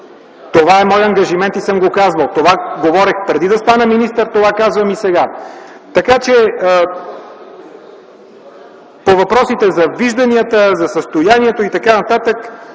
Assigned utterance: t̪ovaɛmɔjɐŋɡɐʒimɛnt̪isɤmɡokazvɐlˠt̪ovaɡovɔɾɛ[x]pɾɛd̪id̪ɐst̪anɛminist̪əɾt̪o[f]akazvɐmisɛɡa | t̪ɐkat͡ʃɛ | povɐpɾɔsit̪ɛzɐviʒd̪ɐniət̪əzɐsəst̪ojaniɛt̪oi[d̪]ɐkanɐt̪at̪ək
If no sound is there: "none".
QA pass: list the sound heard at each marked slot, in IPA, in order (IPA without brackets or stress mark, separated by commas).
x, v, t̪